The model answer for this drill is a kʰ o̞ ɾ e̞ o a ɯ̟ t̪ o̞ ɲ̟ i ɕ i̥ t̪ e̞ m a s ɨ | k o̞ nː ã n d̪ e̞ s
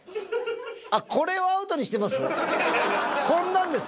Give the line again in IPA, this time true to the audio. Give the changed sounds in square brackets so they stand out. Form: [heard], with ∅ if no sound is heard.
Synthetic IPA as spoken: a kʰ o̞ ɾ e̞ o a ɯ̟ t̪ o̞ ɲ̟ i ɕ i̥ t̪ e̞ m a s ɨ | k [õ̞] nː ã n d̪ e̞ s

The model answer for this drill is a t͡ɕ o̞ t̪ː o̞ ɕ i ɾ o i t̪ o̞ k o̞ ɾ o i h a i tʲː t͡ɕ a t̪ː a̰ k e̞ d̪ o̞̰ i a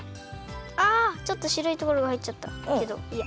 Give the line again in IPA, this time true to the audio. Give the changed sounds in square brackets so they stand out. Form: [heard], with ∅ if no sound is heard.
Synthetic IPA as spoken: a t͡ɕ o̞ t̪ː o̞ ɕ i ɾ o i t̪ o̞ k o̞ ɾ o [a] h a i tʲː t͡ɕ a t̪ː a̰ k e̞ d̪ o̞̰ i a

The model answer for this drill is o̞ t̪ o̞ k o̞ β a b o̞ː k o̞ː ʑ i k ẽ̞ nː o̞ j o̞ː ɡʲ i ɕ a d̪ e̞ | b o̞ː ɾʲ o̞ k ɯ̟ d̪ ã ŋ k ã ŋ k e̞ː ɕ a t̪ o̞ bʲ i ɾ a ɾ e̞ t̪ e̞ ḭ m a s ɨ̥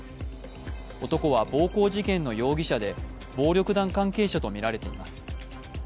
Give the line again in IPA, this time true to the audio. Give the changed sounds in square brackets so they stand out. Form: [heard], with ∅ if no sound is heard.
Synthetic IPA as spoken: o̞ t̪ o̞ k o̞ β a b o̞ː k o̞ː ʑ i k ẽ̞ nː o̞ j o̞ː ɡʲ i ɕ a d̪ e̞ | b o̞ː ɾʲ o̞ k ɯ̟ d̪ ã ŋ k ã ŋ k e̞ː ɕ a t̪ o̞ [mʲ] i ɾ a ɾ e̞ t̪ e̞ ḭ m a s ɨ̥

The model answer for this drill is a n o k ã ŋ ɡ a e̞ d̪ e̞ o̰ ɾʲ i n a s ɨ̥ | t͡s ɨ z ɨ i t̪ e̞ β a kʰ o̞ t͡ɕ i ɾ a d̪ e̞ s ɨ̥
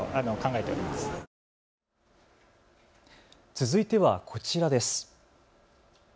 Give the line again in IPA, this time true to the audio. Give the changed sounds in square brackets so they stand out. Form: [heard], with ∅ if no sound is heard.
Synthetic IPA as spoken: a n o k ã ŋ ɡ a e̞ [t̪] e̞ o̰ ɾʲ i [m] a s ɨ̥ | t͡s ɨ z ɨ i t̪ e̞ β a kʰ o̞ t͡ɕ i ɾ a d̪ e̞ s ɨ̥

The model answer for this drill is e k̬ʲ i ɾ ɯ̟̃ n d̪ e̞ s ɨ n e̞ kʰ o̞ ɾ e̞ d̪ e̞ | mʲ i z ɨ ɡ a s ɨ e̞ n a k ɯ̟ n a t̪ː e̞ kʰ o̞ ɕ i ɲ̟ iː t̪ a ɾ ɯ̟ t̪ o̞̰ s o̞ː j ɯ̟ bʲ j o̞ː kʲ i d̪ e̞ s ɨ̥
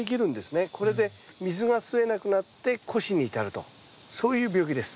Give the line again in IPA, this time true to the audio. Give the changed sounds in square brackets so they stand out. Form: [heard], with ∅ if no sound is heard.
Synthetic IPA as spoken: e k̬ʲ i ɾ ɯ̟̃ n d̪ e̞ s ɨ n e̞ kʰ o̞ ɾ e̞ d̪ e̞ | mʲ i z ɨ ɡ a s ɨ e̞ n a k ɯ̟ n a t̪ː e̞ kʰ o̞ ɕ i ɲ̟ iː t̪ a ɾ ɯ̟ t̪ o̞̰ s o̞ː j [ɯ̟ː] bʲ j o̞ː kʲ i d̪ e̞ s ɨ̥

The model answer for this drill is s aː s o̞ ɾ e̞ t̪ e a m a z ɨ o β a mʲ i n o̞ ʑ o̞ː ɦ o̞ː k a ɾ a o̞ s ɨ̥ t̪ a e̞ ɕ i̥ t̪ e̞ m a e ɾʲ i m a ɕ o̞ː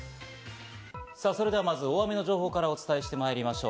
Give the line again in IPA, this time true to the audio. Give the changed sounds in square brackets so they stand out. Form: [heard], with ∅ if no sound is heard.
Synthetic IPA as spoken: s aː s o̞ ɾ e̞ [d̪] e a m a z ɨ o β a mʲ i n o̞ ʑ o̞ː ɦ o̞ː k a ɾ a o̞ [t͡s] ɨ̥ t̪ a e̞ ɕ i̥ t̪ e̞ m a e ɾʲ i m a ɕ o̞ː

